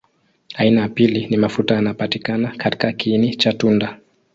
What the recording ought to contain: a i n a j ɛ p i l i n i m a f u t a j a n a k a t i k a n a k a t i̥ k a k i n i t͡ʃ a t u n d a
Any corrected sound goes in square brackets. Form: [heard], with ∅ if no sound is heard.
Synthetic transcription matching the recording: a i n a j [a] p i l i n i m a f u t a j a n a [p] a t i k a n a k a t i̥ k a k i n i t͡ʃ a t u n d a